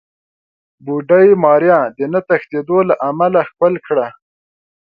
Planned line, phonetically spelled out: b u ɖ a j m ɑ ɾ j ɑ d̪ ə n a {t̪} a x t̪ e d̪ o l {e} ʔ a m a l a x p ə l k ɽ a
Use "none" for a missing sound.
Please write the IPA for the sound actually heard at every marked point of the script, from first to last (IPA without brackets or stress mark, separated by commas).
t̪, a